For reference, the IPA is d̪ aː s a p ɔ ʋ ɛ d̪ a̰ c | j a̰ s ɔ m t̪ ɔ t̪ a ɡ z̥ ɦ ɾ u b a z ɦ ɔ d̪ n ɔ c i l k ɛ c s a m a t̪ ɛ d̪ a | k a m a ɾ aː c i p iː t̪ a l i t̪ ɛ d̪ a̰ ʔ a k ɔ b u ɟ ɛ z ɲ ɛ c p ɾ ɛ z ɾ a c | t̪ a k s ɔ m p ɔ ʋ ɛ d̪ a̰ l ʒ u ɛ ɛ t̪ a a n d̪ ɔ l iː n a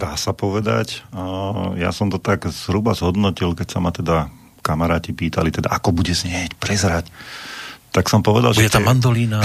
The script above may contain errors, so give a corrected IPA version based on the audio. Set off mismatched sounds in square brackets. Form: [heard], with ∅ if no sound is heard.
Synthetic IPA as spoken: d̪ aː s a p ɔ ʋ ɛ d̪ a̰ c | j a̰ s ɔ m t̪ ɔ t̪ a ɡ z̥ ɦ ɾ u b a z ɦ ɔ d̪ n ɔ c i l k ɛ c s a m a t̪ ɛ d̪ a | k a m a ɾ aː c i p iː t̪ a l i t̪ ɛ d̪ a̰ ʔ a k ɔ b u ɟ ɛ z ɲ ɛ c p ɾ ɛ z ɾ a c | t̪ a k s ɔ m p ɔ ʋ ɛ d̪ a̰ l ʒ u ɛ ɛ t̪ a a n d̪ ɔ l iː n a